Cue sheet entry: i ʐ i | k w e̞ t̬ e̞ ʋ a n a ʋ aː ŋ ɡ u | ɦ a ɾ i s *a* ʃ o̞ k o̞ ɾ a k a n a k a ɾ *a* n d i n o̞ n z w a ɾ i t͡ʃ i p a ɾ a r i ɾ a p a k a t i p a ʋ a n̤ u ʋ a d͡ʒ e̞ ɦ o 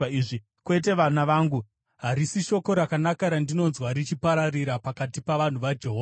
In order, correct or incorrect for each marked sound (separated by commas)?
incorrect, correct